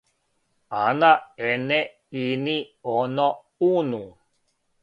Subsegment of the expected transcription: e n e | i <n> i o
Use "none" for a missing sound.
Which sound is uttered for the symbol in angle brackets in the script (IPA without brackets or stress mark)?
n